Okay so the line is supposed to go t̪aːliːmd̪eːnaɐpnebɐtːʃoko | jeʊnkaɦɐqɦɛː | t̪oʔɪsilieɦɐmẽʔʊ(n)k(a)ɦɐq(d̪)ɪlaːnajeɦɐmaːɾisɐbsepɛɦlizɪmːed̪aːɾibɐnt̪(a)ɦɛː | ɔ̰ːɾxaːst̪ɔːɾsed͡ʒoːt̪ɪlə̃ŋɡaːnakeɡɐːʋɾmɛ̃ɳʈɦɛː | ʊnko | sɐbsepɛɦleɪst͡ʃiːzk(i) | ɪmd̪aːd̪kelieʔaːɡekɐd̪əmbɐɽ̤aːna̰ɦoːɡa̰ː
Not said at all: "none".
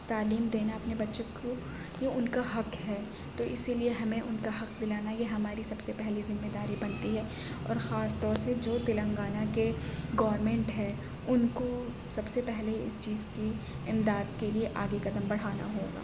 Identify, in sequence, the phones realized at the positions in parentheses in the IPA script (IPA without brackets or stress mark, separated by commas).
n, a, d̪, i, i